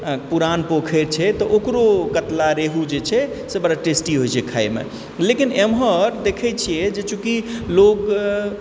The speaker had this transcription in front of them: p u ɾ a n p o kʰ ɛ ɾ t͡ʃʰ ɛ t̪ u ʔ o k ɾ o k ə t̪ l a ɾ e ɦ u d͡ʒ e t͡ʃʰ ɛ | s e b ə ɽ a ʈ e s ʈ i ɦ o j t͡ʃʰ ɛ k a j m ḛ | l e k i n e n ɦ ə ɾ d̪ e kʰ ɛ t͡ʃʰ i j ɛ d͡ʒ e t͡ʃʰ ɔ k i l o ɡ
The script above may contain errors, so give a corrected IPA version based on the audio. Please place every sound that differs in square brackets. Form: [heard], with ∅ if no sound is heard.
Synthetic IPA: p u ɾ a n p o kʰ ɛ ɾ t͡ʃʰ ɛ t̪ [ɔ] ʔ o k ɾ o k ə t̪ l a ɾ e ɦ u d͡ʒ e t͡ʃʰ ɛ | s e b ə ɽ a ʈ e s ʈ i ɦ o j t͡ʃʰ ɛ [kʰ] a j m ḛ | l e k i n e [m] ɦ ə ɾ d̪ e kʰ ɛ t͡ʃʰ i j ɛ d͡ʒ e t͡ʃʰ [u] k i l o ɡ